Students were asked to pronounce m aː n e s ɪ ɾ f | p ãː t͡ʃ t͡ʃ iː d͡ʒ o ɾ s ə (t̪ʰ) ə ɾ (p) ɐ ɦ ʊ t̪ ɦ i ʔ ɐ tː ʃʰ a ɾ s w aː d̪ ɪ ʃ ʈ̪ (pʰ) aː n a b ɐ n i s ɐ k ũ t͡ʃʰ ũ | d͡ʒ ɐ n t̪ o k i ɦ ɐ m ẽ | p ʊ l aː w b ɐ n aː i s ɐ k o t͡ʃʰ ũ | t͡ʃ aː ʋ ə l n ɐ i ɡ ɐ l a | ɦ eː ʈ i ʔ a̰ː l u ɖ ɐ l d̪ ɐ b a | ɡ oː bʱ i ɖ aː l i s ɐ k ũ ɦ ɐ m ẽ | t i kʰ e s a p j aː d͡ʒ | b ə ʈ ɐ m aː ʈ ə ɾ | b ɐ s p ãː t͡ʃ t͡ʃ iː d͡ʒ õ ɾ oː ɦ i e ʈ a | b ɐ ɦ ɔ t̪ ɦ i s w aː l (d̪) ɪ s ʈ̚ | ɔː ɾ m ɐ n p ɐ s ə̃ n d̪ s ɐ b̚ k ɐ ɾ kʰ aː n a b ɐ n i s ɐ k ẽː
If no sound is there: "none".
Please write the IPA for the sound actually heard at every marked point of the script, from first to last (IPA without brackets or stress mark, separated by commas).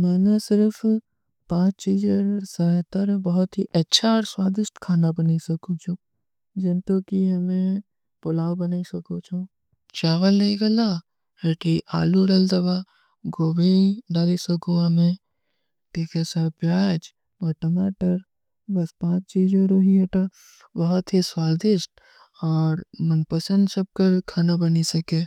t̪, b, kʰ, d̪